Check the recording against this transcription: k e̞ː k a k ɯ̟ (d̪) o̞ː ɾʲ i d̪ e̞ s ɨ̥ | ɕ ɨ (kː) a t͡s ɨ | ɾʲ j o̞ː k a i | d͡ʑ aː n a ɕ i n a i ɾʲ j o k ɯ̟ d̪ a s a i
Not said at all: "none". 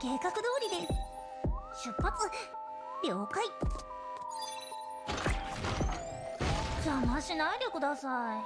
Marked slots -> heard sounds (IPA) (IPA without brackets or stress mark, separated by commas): d̪, pː